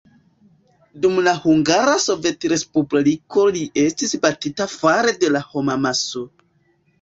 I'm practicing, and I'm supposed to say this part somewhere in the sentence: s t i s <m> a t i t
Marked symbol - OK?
no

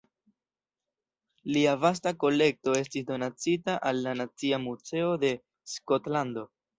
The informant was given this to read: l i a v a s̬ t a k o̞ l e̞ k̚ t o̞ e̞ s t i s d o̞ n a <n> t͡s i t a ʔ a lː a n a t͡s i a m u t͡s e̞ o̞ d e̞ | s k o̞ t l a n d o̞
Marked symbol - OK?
no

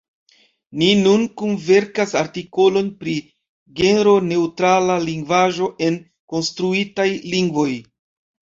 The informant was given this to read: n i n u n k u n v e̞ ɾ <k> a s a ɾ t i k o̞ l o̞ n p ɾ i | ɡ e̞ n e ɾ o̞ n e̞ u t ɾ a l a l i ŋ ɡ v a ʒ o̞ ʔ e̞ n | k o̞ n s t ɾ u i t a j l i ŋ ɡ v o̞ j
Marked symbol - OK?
yes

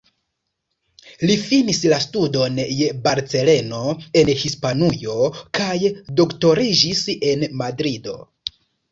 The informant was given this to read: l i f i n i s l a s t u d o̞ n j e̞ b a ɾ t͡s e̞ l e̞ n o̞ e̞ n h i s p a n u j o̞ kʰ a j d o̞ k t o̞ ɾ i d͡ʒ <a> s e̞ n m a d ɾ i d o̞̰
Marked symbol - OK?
no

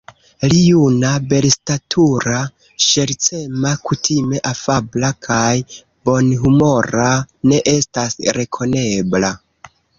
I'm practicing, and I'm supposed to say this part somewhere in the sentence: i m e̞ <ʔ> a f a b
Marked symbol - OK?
yes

